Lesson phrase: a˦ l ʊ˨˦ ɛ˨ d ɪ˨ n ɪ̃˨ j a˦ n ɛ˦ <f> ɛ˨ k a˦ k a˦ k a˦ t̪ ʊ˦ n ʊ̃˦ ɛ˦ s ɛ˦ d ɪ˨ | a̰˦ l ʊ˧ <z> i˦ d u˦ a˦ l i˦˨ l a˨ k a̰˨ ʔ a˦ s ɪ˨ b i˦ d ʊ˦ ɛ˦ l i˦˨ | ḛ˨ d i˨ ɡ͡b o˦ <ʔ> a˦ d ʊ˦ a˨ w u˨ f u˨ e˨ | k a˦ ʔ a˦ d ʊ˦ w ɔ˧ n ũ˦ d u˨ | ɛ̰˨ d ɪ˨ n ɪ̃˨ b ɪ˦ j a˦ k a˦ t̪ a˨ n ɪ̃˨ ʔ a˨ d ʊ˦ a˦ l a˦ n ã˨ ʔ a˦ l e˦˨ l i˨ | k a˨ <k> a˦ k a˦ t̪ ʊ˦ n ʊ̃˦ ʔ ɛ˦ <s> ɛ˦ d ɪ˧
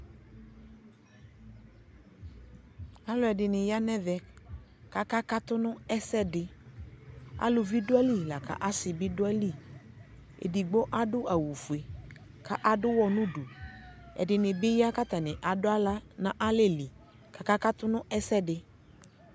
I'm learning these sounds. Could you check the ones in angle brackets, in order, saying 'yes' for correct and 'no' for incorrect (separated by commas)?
no, no, yes, yes, yes